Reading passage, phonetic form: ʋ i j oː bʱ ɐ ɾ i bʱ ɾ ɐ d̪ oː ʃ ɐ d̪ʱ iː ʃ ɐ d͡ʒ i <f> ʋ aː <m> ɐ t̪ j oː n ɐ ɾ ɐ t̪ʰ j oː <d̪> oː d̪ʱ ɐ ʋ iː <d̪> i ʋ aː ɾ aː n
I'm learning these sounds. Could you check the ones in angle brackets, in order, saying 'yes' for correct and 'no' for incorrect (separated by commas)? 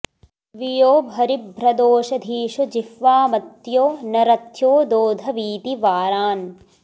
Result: yes, yes, yes, no